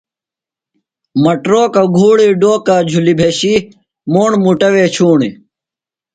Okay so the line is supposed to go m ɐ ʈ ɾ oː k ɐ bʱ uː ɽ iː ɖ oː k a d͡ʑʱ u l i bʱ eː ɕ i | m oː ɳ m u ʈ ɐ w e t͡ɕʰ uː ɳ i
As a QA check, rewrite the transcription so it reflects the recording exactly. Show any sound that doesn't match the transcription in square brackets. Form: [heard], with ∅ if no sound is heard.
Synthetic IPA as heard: m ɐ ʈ ɾ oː k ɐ [ɡʱ] uː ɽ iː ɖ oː k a d͡ʑʱ u l i bʱ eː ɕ i | m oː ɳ m u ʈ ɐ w e t͡ɕʰ uː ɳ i